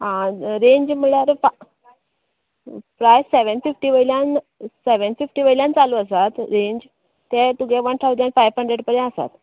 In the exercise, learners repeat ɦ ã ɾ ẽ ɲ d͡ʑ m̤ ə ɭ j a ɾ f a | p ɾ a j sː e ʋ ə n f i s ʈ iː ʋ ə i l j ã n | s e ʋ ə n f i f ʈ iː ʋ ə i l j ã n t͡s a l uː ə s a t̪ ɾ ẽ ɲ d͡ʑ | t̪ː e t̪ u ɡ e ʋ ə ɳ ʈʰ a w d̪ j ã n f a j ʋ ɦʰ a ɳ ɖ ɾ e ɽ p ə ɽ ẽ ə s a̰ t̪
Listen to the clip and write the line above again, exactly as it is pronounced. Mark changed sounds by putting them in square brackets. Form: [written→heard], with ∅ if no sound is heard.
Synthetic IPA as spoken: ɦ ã ɾ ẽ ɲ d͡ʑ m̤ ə ɭ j a ɾ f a | p ɾ a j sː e ʋ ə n f i [s→f] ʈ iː ʋ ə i l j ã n | s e ʋ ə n f i f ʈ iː ʋ ə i l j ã n t͡s a l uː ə s a t̪ ɾ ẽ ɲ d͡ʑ | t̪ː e t̪ u ɡ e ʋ ə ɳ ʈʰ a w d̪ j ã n f a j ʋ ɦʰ [a→ə] ɳ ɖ ɾ e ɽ p ə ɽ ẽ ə s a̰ t̪